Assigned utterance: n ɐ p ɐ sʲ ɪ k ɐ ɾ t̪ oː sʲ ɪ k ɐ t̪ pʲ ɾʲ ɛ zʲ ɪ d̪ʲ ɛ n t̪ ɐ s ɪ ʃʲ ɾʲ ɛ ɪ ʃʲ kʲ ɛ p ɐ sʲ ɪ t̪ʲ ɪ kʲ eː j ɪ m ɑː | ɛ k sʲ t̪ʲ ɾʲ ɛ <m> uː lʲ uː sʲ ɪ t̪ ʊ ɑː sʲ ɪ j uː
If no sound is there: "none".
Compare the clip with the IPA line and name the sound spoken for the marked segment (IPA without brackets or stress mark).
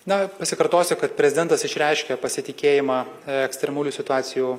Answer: m